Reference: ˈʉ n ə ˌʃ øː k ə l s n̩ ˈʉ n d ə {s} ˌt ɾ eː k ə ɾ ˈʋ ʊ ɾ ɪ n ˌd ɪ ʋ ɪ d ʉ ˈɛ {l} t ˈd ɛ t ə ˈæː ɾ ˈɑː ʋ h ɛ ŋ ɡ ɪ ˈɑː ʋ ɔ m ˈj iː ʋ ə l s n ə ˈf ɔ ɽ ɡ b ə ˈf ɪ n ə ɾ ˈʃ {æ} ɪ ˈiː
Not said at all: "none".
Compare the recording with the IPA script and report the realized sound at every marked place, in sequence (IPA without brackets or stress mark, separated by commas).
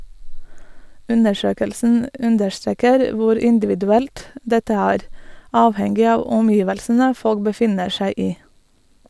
ʃ, l, æ